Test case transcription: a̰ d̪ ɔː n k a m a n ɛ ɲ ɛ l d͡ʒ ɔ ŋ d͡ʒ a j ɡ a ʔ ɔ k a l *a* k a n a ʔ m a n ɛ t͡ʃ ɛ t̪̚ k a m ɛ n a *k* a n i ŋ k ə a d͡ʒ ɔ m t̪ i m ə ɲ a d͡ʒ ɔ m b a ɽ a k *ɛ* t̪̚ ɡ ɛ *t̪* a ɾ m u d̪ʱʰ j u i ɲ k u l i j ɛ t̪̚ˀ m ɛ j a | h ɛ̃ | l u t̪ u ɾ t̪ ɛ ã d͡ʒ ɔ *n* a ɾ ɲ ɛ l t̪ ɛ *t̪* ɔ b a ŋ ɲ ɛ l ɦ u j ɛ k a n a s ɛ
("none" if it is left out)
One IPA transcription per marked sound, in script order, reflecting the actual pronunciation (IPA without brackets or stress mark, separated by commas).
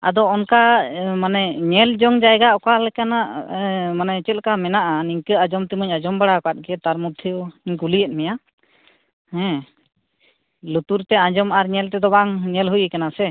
ɛ, ʔ, a, t̪, m, d̪